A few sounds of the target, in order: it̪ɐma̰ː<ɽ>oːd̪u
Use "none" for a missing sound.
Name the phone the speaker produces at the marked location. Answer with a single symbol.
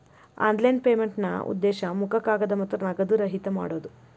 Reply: ɽ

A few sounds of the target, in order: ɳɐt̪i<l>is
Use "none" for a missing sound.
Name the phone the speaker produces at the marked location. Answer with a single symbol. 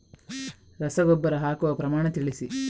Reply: ɭ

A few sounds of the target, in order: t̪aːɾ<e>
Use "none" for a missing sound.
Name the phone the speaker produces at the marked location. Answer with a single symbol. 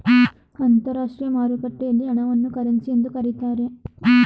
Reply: e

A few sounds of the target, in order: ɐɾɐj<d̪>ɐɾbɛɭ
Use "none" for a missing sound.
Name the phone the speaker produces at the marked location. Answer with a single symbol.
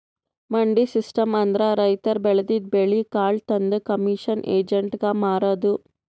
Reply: t̪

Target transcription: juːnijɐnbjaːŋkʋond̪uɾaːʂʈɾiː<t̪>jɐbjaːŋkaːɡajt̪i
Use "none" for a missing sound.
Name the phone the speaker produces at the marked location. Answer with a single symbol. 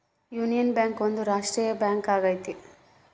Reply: none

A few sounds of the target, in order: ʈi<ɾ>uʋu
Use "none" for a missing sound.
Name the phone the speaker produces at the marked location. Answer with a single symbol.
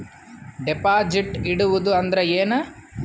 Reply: ɽ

